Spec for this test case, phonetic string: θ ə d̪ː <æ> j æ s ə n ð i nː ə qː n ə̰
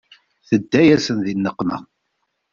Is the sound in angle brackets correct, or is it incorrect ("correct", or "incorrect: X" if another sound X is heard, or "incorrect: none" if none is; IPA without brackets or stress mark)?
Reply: correct